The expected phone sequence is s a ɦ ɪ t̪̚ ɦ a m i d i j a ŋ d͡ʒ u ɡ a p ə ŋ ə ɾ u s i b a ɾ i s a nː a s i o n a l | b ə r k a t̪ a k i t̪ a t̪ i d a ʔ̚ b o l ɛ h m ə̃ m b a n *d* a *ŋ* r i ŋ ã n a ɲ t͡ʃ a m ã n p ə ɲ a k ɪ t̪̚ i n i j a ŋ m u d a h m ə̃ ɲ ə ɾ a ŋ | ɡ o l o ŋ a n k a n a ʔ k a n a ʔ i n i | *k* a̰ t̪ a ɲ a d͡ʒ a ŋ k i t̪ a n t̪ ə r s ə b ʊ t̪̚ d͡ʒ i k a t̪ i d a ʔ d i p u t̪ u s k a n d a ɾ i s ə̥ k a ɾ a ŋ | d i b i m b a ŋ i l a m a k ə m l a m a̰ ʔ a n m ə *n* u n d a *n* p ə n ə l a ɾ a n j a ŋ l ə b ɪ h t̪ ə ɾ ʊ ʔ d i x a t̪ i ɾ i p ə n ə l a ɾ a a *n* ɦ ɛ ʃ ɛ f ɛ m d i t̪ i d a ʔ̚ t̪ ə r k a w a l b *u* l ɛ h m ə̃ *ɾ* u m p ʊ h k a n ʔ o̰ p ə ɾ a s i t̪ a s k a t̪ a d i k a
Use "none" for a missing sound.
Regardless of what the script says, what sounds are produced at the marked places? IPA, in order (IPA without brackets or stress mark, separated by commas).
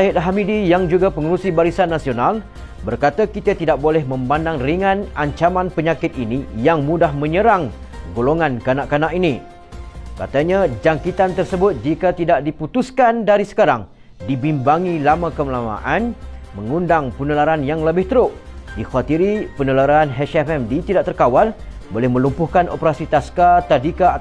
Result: d, ŋ, k, ŋ, ŋ, n, o, l